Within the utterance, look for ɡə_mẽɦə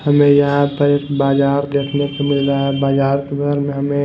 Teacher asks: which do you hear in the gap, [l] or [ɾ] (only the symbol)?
ɾ